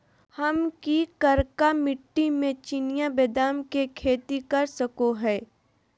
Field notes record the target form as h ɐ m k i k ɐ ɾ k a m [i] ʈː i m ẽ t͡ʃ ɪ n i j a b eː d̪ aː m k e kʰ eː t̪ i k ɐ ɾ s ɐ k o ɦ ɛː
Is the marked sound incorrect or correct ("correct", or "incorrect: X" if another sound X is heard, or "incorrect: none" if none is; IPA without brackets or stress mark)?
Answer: incorrect: ɪ